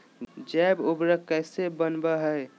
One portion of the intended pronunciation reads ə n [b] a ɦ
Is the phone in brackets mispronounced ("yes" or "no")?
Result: no